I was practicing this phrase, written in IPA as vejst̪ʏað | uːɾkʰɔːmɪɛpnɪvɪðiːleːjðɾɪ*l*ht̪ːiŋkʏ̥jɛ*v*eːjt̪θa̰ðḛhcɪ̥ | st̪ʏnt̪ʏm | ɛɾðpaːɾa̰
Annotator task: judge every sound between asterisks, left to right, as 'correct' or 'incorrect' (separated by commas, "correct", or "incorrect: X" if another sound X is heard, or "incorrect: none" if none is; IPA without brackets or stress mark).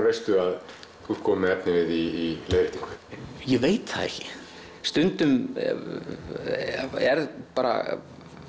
incorrect: none, correct